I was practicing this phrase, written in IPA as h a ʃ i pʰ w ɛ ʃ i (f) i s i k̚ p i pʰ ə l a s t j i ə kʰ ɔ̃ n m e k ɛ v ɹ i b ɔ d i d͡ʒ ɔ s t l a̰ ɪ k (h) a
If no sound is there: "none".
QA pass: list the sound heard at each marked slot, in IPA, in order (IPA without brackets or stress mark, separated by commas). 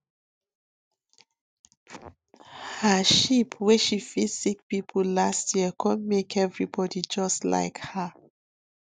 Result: f, h